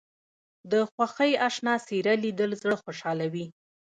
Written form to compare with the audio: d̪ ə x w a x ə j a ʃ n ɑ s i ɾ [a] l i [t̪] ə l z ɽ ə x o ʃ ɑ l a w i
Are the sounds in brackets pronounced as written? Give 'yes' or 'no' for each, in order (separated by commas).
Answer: yes, no